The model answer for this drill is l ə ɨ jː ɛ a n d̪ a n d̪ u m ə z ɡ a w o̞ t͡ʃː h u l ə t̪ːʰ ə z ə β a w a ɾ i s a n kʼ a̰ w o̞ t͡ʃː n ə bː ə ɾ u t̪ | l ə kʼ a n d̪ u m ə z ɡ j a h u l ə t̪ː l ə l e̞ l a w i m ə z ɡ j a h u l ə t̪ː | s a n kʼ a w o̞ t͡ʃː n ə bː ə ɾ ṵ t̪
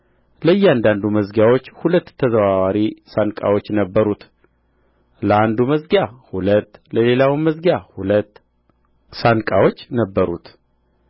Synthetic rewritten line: l ə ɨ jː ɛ a n d̪ a n d̪ u m ə z ɡ a w o̞ t͡ʃː h u l ə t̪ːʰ ə z ə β a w a ɾ i s a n kʼ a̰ w o̞ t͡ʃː n ə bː ə ɾ u t̪ | l ə a n d̪ u m ə z ɡ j a h u l ə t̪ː l ə l e̞ l a w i m ə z ɡ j a h u l ə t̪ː | s a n kʼ a w o̞ t͡ʃː n ə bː ə ɾ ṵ t̪

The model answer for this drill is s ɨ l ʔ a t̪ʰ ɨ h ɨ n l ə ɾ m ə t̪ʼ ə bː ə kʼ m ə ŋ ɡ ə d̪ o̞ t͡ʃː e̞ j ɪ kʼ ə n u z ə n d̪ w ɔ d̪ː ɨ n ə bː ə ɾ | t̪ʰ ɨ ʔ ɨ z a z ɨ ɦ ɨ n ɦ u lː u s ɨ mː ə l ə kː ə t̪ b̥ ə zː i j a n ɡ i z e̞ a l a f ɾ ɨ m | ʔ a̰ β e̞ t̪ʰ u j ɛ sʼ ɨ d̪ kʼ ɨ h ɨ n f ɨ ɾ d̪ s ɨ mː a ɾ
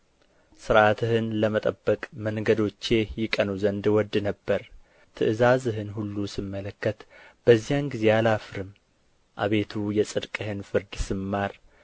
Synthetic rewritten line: s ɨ ɾ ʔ a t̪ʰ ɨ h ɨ n l ə m ə t̪ʼ ə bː ə kʼ m ə ŋ ɡ ə d̪ o̞ t͡ʃː e̞ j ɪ kʼ ə n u z ə n d̪ w ɔ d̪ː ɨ n ə bː ə ɾ | t̪ʰ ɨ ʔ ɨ z a z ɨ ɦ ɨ n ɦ u lː u s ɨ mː ə l ə kː ə t̪ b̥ ə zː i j a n ɡ i z e̞ a l a f ɾ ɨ m | ʔ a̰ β e̞ t̪ʰ u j ɛ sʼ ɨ d̪ kʼ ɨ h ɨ n f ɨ ɾ d̪ s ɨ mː a ɾ

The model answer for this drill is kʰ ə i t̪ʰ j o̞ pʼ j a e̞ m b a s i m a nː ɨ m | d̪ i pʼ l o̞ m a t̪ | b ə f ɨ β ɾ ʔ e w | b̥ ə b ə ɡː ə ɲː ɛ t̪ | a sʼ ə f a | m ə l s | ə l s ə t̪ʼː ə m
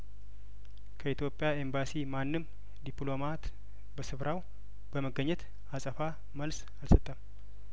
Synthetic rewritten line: kʰ ə i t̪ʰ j o̞ pʼ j a e̞ m b a s i m a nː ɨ m | d̪ i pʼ l o̞ m a t̪ | b ə s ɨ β ɾ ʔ a w | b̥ ə m ə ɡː ə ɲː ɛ t̪ | a sʼ ə f a | m ə l s | a l s ə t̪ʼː ə m

